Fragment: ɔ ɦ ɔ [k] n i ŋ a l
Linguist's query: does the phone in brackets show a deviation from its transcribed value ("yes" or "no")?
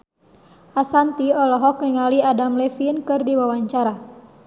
no